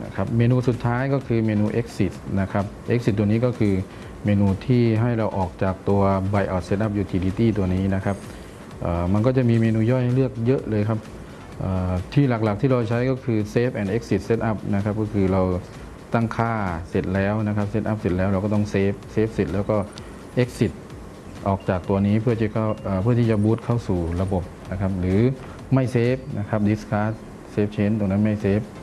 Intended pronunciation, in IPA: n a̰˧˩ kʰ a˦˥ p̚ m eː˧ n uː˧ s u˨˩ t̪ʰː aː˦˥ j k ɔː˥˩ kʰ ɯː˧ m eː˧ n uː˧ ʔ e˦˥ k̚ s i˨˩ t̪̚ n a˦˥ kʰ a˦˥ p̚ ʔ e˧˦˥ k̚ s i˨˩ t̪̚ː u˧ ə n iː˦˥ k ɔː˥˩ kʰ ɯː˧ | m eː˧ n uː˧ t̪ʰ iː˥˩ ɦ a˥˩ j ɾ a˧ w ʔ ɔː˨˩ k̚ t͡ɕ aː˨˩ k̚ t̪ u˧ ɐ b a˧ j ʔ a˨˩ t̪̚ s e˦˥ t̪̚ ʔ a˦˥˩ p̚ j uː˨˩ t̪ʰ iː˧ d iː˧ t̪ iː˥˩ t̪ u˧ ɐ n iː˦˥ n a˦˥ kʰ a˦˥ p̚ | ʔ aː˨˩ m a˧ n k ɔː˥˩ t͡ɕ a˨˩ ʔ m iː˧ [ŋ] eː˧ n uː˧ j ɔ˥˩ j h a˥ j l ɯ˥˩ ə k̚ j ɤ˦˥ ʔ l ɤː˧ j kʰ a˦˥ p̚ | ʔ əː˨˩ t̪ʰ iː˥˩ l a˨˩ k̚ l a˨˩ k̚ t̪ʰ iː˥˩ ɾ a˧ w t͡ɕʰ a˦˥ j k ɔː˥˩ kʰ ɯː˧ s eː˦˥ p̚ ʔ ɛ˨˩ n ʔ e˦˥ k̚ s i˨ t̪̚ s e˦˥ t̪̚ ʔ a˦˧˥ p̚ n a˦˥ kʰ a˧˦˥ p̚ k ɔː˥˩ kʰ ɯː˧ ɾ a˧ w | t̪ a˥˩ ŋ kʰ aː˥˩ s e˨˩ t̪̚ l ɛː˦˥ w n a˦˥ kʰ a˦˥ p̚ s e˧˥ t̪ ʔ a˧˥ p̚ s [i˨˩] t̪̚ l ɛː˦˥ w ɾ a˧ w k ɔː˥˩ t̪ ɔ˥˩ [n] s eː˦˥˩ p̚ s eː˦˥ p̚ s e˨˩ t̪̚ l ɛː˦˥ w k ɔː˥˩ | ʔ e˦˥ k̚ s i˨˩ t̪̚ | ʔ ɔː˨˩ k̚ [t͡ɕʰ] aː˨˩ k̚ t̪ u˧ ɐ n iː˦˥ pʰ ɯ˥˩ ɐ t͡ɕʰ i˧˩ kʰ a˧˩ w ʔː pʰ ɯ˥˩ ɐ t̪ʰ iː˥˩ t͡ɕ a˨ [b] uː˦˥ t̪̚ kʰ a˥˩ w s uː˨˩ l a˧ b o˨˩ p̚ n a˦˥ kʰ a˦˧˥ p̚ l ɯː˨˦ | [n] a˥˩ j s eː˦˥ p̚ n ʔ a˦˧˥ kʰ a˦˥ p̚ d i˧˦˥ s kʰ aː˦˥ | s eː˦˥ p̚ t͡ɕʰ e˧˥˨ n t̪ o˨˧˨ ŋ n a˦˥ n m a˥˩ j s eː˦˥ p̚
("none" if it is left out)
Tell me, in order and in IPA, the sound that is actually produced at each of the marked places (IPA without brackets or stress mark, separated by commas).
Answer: m, e˨˩, ŋ, t͡ɕ, b, m